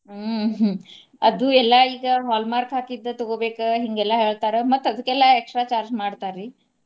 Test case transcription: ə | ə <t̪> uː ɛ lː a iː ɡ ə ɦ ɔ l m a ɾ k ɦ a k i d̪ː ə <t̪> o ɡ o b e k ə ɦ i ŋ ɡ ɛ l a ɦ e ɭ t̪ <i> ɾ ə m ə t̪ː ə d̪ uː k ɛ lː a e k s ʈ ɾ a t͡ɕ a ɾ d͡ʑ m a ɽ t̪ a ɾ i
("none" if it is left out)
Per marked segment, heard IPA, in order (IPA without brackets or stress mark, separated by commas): d̪, t̪, a